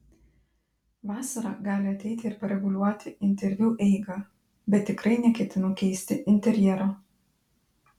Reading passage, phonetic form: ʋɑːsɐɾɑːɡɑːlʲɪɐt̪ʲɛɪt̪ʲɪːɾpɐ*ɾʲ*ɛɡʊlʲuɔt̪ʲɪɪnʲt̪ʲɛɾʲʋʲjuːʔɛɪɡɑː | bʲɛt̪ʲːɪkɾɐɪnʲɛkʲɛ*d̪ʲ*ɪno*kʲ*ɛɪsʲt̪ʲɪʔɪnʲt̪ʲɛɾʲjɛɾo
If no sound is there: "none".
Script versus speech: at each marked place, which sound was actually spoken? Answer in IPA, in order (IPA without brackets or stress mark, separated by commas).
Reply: ɾʲ, t̪ʲ, kʲ